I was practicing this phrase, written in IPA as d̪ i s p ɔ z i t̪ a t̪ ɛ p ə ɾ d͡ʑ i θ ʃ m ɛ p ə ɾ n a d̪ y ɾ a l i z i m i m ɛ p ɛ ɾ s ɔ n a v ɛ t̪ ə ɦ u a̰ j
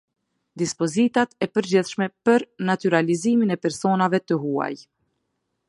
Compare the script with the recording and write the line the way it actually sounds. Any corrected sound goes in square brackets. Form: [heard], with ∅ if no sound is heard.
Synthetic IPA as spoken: d̪ i s p ɔ z i t̪ a t̪ ɛ p ə ɾ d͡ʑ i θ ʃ m ɛ p ə ɾ n a [t̪] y ɾ a l i z i m i [n] ɛ p ɛ ɾ s ɔ n a v ɛ t̪ ə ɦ u a̰ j